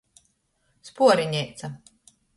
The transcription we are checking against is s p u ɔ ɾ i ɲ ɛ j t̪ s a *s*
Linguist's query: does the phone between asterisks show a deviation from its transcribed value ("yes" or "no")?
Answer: yes